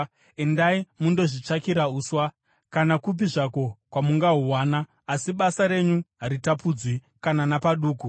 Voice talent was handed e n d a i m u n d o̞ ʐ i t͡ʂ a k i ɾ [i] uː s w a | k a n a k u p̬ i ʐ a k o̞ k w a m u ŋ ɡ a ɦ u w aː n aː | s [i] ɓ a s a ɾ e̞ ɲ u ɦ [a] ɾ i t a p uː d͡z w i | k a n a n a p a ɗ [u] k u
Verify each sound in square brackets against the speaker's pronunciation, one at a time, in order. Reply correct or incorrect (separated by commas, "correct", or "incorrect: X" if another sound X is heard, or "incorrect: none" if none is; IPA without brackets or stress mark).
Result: incorrect: a, correct, correct, incorrect: uː